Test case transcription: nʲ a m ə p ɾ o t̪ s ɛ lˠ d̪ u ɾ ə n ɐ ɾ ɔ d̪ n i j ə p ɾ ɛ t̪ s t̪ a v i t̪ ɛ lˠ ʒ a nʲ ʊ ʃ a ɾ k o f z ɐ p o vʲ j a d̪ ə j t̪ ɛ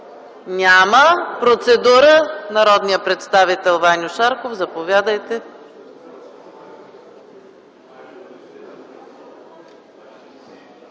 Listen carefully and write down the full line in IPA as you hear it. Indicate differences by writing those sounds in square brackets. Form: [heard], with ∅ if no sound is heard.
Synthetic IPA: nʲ a m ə p ɾ o t̪ s ɛ [∅] d̪ u ɾ ə n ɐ ɾ ɔ d̪ n i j ə p ɾ ɛ t̪ s t̪ a v i t̪ ɛ lˠ [v] a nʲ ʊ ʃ a ɾ k o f z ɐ p o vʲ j a d̪ ə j t̪ ɛ